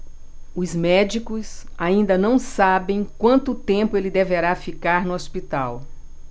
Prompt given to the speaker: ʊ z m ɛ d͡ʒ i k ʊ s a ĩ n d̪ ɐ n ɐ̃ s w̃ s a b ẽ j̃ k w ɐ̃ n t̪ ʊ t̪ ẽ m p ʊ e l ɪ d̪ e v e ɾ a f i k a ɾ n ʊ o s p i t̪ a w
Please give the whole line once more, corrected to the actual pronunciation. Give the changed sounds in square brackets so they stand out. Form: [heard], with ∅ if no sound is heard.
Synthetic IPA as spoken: ʊ z m ɛ d͡ʒ i k ʊ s a ĩ n d̪ ɐ n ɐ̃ [∅] w̃ s a b ẽ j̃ k w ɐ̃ n t̪ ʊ t̪ ẽ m p ʊ e l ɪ d̪ e v e ɾ a f i k a ɾ n ʊ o s p i t̪ a w